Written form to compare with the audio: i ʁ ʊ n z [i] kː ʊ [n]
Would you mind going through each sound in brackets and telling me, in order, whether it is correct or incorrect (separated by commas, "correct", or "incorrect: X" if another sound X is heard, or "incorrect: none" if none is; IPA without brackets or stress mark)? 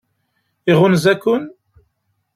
incorrect: æ, correct